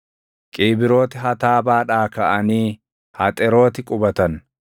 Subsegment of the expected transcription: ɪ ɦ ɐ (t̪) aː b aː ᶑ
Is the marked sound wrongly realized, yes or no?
no